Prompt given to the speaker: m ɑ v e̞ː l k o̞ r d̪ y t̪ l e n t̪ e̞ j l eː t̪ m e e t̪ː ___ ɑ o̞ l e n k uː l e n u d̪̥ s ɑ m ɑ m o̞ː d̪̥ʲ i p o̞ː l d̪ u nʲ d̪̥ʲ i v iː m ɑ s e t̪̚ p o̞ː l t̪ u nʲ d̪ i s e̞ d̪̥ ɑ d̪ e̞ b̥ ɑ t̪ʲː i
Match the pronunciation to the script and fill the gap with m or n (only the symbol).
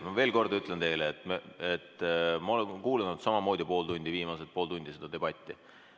m